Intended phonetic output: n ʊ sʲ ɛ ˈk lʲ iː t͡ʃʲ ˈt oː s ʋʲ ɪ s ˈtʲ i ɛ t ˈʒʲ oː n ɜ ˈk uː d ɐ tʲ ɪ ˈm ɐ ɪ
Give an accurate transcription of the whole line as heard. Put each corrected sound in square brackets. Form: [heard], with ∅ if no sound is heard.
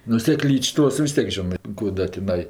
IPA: n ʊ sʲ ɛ ˈk lʲ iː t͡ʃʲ ˈt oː s ʋʲ ɪ s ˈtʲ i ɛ [k] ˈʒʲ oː n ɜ ˈk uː d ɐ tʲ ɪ [ˈn] ɐ ɪ

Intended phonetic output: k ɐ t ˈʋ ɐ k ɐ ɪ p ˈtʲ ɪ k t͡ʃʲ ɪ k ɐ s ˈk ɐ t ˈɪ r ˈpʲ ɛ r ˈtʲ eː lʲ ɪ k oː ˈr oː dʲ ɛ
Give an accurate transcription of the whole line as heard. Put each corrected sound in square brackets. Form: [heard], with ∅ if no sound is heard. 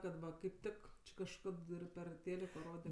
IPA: k ɐ t ˈʋ ɐ k ɐ ɪ p ˈtʲ ɪ k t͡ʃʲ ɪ k ɐ [ʃ] ˈk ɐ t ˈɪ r ˈpʲ ɛ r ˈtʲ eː lʲ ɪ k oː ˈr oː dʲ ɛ

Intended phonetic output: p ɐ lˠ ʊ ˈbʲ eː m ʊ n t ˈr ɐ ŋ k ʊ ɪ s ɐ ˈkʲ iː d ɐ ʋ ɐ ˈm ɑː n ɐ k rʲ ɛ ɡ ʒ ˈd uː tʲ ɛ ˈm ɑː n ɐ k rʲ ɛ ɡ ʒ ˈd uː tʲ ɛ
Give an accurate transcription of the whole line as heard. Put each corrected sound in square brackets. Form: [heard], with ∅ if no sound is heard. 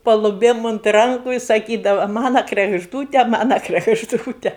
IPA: p ɐ lˠ ʊ ˈbʲ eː m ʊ n t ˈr ɐ ŋ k ʊ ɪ s ɐ ˈkʲ iː d ɐ ʋ ɐ ˈm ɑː n ɐ k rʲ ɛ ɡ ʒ ˈd uː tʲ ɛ ˈm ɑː n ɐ k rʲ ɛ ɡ ʒ ˈd uː tʲ ɛ

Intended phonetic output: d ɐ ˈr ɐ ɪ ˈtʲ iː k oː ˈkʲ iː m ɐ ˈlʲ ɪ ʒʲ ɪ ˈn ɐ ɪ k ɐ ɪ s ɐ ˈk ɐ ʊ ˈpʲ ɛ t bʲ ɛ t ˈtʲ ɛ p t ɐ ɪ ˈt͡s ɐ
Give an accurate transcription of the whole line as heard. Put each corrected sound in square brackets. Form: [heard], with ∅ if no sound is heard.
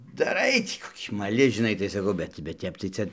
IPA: d ɐ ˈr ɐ ɪ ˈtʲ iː k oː ˈkʲ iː m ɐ ˈlʲ ɪ ʒʲ ɪ ˈn ɐ ɪ [t] ɐ ɪ s ɐ ˈk ɐ ʊ [ˈbʲ] ɛ t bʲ ɛ t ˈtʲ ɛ p t ɐ ɪ ˈt͡s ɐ

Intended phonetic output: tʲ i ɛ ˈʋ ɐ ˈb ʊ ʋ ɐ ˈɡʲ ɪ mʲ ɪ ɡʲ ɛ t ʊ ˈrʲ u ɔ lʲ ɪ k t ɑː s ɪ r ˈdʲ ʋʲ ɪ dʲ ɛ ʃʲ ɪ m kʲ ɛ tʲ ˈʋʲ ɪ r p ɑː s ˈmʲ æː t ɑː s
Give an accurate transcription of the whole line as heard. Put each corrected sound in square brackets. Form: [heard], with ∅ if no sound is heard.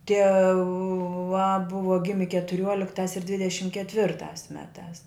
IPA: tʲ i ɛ ˈʋ ɐ ˈb ʊ ʋ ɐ ˈɡʲ ɪ mʲ ɪ [kʲ] ɛ t ʊ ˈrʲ u ɔ lʲ ɪ k t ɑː s ɪ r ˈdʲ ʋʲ ɪ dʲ ɛ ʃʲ ɪ m kʲ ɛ tʲ ˈʋʲ ɪ r [t] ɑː s ˈmʲ æː t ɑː s

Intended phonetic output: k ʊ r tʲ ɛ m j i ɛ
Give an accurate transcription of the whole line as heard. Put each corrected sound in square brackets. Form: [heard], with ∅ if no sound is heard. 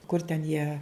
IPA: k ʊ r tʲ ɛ [n] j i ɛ

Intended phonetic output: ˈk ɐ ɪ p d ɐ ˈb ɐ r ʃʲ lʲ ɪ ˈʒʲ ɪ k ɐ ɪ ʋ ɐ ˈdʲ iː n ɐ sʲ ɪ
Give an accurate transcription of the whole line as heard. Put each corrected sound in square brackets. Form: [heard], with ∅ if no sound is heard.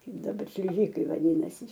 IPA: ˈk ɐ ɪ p d ɐ ˈb ɐ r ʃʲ lʲ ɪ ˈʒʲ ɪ k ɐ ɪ ʋ ɐ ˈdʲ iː n ɐ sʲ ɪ

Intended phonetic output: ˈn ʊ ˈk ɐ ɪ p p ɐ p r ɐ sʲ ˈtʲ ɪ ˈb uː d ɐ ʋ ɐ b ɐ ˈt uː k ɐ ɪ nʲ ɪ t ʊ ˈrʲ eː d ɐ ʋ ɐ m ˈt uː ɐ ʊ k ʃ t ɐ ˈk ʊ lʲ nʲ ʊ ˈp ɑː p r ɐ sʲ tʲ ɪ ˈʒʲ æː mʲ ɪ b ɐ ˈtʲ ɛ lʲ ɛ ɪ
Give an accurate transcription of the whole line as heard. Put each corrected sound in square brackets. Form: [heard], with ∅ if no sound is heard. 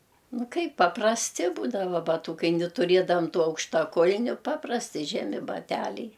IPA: ˈn ʊ ˈk ɐ ɪ p p ɐ p r ɐ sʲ ˈtʲ ɪ ˈb uː d ɐ ʋ ɐ b ɐ ˈt uː k ɐ ɪ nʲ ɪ t ʊ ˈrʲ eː d ɐ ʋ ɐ m ˈt uː ɐ ʊ k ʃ t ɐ ˈk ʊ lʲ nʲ ʊ ˈp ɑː p r ɐ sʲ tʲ ɪ ˈʒʲ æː mʲ ɪ b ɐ ˈtʲ [æ] lʲ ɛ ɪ

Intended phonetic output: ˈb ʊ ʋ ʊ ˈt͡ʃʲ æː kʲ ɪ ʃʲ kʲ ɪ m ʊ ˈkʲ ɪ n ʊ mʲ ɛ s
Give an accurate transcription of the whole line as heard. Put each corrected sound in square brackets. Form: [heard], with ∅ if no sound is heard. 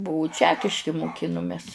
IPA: ˈb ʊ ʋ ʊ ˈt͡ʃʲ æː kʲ ɪ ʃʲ kʲ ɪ m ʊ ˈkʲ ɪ n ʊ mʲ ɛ s

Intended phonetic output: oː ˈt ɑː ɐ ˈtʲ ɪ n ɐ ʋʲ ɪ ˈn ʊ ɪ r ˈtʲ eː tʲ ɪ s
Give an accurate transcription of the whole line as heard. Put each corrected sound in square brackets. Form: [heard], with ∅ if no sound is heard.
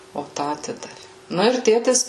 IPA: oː ˈt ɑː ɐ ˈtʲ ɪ [d] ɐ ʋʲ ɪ ˈn ʊ ɪ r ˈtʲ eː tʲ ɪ s

